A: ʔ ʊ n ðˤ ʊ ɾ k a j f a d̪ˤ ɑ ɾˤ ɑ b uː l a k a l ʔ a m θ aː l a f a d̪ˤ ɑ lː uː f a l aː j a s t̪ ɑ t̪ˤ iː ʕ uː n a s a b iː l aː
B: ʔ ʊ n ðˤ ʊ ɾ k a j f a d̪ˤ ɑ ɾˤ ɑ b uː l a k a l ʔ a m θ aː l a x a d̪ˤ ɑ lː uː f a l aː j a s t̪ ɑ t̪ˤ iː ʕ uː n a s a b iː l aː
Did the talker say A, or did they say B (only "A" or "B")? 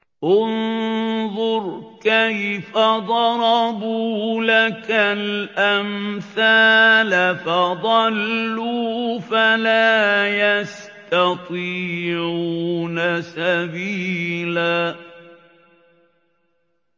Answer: A